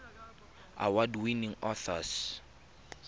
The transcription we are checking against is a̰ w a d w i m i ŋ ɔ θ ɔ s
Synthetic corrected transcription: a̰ w a d w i n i ŋ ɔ θ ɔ s

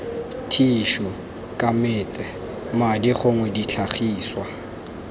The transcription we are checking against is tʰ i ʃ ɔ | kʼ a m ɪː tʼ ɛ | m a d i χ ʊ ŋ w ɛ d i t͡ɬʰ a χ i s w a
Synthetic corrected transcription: tʰ i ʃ ɔ | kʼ a m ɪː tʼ ɛ | m a d i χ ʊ ŋ w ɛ d i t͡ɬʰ a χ iː s w a

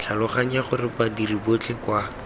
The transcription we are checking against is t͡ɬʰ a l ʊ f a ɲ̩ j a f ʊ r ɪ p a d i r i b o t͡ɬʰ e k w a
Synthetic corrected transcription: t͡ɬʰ a l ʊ χ a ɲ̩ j a χ ʊ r ɪ p a d i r i b o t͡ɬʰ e k w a

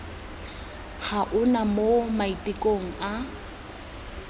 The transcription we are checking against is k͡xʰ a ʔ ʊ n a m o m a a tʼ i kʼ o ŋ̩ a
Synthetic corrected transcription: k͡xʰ a ʔ ʊ n a m o m a i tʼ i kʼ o ŋ̩ a

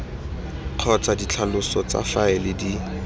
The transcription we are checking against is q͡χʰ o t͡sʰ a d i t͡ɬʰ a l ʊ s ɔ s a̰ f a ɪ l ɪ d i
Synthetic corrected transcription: q͡χʰ ɔ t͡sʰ a d i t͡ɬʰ a l ʊ s ɔ t͡s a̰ f a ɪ l ɪ d i

